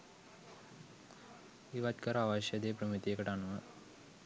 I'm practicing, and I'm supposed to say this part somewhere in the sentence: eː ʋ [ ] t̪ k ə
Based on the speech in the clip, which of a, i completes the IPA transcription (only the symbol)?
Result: a